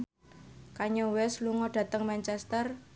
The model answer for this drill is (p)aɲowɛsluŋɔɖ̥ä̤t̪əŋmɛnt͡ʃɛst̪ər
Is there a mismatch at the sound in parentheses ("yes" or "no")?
yes